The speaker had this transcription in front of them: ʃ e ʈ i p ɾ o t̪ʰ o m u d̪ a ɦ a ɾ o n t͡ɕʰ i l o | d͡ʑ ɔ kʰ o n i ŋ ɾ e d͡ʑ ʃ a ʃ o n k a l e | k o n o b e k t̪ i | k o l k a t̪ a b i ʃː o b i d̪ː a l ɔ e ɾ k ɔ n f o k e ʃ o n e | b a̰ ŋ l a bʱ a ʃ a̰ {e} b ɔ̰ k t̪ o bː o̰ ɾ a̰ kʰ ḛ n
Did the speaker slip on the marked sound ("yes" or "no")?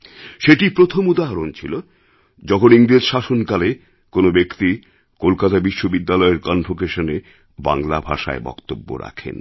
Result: no